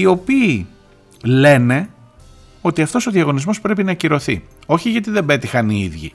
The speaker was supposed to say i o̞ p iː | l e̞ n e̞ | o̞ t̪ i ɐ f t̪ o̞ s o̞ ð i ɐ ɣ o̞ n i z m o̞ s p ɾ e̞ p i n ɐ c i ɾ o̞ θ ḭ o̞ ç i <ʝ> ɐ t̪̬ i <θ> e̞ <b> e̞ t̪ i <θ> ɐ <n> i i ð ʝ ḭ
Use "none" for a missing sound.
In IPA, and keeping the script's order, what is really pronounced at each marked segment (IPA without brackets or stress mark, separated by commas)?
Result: ʝ, ð, b, x, n